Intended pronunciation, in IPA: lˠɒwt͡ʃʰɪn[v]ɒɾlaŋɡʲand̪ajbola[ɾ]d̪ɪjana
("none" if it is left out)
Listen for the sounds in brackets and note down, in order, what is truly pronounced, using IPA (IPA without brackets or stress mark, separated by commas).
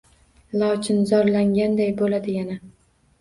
z, none